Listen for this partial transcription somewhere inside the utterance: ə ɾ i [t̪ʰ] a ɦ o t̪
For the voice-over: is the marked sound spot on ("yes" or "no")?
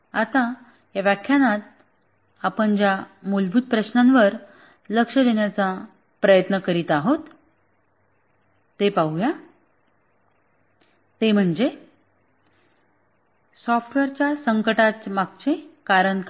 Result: no